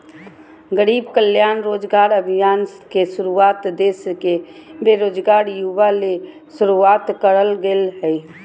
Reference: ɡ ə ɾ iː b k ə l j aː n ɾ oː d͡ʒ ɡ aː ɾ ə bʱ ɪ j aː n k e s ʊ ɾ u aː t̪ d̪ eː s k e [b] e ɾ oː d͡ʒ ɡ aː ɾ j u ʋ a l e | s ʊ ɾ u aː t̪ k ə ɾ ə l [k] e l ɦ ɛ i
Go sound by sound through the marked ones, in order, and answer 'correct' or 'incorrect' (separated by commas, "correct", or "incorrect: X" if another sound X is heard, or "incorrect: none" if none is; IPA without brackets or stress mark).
correct, incorrect: ɡ